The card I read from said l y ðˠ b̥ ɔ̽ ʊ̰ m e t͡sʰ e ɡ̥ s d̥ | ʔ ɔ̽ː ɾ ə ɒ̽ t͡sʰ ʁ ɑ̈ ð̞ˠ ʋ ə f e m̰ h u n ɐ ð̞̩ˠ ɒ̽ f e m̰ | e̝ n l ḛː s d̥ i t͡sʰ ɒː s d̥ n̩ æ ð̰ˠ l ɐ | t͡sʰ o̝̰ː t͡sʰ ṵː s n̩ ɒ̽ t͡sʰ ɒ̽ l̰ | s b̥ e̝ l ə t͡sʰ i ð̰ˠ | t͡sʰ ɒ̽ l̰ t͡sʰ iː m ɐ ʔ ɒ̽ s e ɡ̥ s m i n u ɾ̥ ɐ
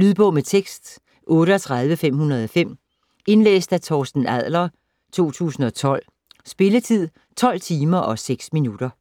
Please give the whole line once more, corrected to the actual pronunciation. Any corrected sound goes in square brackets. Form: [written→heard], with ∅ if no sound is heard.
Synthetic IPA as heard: l y ðˠ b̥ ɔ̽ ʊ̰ m e t͡sʰ e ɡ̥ s d̥ | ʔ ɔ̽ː ɾ ə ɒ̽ t͡sʰ ʁ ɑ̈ ð̞ˠ ʋ ə f e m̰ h u n ɐ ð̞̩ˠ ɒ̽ f e m̰ | e̝ n l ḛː s d̥ [i→æ] t͡sʰ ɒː s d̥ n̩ æ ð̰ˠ l ɐ | t͡sʰ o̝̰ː t͡sʰ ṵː s n̩ ɒ̽ t͡sʰ ɒ̽ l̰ | s b̥ e̝ l ə t͡sʰ i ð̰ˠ | t͡sʰ ɒ̽ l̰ t͡sʰ iː m ɐ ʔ ɒ̽ s e ɡ̥ s m i n u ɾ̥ ɐ